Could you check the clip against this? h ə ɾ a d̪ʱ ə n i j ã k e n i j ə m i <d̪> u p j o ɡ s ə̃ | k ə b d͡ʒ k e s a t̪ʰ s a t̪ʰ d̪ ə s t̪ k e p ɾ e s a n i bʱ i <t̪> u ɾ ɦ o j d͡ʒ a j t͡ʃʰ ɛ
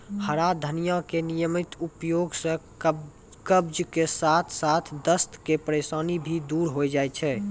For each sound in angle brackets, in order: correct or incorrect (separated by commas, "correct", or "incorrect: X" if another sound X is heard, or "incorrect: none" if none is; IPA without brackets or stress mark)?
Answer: incorrect: t̪, incorrect: d̪